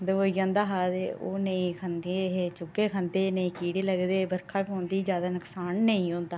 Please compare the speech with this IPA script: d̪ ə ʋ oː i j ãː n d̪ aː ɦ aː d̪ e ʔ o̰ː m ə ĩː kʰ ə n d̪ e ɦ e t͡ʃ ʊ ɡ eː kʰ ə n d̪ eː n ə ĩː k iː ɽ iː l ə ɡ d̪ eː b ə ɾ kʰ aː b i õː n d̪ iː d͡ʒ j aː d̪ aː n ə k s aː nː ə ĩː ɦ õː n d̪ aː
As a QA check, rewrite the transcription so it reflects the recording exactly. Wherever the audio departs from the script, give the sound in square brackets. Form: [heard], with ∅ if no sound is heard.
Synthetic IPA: d̪ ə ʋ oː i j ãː n d̪ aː ɦ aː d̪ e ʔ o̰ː [n] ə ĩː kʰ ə n d̪ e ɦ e t͡ʃ ʊ ɡ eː kʰ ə n d̪ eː n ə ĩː k iː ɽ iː l ə ɡ d̪ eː b ə ɾ kʰ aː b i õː n d̪ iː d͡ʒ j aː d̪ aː n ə k s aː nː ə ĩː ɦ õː n d̪ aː